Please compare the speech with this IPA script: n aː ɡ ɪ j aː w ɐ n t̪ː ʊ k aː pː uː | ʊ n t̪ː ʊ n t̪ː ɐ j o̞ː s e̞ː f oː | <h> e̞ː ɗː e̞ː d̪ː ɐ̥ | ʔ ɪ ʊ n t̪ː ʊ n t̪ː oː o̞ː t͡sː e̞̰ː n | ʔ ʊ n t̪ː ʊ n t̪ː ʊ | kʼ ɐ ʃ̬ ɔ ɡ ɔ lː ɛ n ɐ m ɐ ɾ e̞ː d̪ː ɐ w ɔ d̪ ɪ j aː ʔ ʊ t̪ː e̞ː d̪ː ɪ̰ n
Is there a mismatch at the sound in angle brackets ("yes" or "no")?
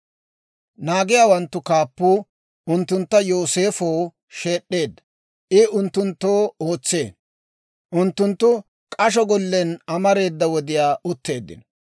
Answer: yes